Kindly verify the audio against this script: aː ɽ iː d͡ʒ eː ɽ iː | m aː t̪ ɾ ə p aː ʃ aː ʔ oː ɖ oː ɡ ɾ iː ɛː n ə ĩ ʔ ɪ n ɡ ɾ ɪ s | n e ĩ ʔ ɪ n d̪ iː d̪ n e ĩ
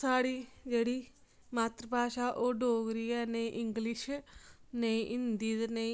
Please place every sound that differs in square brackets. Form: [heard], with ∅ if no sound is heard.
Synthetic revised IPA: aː ɽ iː d͡ʒ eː ɽ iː | m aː t̪ ɾ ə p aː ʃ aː ʔ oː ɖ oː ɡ ɾ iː ɛː n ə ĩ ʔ ɪ [ŋ] ɡ [l] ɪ [ʃ] | n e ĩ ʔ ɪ n d̪ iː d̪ n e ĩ